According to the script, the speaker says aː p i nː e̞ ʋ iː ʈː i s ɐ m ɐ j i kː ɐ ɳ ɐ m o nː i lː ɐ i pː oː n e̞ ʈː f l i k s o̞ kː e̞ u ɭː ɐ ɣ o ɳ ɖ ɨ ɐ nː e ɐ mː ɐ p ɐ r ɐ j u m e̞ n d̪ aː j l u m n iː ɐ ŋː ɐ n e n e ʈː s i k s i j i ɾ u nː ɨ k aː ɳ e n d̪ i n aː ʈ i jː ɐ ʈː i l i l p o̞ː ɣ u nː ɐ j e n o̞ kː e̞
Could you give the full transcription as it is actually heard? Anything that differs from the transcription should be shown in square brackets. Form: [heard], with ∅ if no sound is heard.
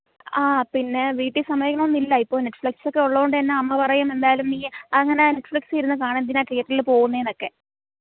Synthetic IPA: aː p i nː e̞ ʋ iː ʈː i s ɐ m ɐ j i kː ɐ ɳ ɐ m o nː i lː ɐ i pː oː n e̞ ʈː f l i k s o̞ kː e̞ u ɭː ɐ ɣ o ɳ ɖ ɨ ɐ nː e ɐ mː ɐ p ɐ r ɐ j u m e̞ n d̪ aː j l u m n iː ɐ ŋː ɐ n e n e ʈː [f] i k s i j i ɾ u nː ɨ k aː ɳ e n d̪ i n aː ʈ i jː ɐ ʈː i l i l p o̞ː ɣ u nː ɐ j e n o̞ kː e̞